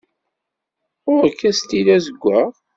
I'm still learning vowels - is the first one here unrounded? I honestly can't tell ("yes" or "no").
no